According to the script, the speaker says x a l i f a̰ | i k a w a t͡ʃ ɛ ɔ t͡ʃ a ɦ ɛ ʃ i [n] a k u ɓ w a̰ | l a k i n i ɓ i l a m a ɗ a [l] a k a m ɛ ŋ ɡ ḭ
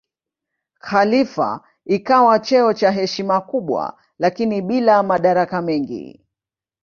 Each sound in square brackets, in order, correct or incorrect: incorrect: m, incorrect: ɾ

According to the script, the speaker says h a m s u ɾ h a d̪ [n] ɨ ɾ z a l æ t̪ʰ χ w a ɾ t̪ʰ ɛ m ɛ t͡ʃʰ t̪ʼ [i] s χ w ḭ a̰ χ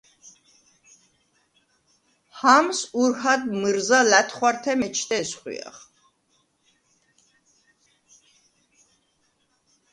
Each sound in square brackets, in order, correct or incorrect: incorrect: m, incorrect: ɛ

